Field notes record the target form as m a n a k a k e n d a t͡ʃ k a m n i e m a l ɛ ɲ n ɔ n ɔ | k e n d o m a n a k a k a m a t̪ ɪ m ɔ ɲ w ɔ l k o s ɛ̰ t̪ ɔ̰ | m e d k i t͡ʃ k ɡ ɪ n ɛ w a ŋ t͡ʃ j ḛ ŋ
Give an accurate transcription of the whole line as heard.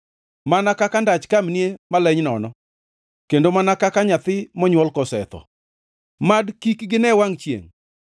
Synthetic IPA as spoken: m a n a k a k a n d a t͡ʃ k a m n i e m a l ɛ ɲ n ɔ n ɔ | k e n d o m a n a k a k a ɲ a t̪ ɪ m ɔ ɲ w ɔ l k ɔ s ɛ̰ t̪ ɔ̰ | m a d k i k ɡ ɪ n ɛ w a ŋ t͡ʃ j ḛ ŋ

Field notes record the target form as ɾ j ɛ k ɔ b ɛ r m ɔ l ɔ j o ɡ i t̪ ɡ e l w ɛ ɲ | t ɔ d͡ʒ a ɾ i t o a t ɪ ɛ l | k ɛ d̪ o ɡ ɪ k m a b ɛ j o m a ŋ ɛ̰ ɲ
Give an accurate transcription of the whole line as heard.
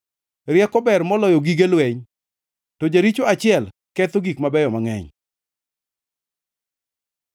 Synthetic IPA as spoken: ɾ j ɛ k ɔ b ɛ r m ɔ l ɔ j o ɡ i ɡ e l w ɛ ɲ | t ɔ d͡ʒ a ɾ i t͡ʃ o a t͡ʃ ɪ ɛ l | k ɛ t̪ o ɡ i k m a b ɛ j ɔ m a ŋ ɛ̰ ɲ

